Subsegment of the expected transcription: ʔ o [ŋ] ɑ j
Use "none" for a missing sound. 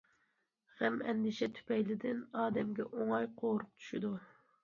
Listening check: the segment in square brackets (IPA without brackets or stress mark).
ŋ